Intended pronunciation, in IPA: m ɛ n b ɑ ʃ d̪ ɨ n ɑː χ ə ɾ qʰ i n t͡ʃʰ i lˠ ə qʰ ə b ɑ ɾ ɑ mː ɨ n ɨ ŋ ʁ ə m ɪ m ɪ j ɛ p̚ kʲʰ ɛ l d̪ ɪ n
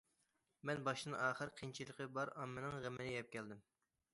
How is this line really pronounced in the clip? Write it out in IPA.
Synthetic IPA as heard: m ɛ n b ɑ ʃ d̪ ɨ n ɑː χ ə ɾ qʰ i n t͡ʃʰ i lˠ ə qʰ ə b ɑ ɾ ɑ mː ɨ n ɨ ŋ ʁ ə m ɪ n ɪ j ɛ p̚ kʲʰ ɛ l d̪ ɪ m